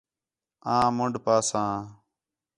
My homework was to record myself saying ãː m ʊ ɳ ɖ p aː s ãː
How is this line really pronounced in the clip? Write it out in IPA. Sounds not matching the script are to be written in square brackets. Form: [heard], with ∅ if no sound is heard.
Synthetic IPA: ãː m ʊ ɳ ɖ p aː s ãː